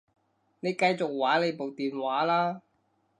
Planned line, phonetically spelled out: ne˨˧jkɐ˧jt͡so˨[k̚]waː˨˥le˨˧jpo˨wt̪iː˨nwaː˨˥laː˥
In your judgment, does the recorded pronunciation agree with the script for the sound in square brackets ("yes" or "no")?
yes